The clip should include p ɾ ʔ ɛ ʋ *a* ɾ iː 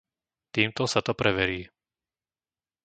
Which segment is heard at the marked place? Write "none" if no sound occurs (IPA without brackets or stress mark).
ɛ